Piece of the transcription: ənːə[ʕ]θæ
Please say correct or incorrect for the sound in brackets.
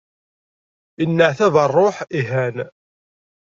correct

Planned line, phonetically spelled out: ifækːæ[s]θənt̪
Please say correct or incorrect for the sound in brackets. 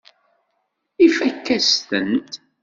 correct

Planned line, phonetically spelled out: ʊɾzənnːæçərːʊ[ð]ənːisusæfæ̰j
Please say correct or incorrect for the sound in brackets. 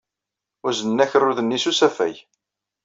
correct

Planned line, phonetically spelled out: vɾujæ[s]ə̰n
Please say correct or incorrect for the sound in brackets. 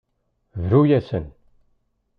correct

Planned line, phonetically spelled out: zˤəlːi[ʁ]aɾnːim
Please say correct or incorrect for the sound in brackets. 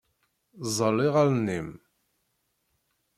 correct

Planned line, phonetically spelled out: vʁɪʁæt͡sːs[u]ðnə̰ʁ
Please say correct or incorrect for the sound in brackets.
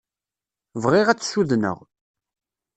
correct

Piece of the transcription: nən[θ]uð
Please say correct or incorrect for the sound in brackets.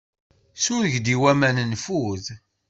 incorrect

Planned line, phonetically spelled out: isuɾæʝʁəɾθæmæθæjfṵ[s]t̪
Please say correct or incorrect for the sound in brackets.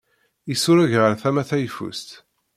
correct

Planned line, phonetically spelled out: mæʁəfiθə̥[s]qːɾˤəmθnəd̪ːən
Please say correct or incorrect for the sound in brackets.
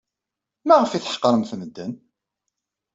incorrect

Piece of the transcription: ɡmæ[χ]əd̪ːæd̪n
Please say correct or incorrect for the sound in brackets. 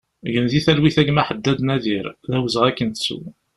incorrect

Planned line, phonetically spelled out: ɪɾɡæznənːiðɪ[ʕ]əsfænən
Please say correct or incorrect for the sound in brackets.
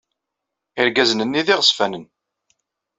incorrect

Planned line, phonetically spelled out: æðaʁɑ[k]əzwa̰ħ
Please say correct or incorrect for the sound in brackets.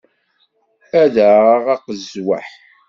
incorrect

